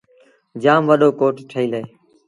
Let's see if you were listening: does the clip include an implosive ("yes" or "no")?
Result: yes